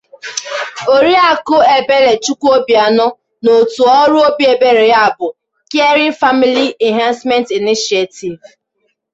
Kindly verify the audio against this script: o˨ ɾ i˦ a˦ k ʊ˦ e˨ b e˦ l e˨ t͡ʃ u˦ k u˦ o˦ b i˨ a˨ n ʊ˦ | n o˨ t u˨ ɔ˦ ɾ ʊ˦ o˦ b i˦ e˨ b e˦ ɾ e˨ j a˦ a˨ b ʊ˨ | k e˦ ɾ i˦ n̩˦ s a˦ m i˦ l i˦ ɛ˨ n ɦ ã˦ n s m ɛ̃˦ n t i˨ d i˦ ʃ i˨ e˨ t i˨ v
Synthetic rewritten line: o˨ ɾ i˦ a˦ k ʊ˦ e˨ b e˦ l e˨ t͡ʃ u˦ k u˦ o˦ b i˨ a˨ n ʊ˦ | n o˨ t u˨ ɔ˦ ɾ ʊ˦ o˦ b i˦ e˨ b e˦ ɾ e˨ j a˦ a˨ b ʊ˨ | k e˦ ɾ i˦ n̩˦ f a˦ m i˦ l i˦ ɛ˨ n ɦ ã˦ n s m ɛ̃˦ n t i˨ n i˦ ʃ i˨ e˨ t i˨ v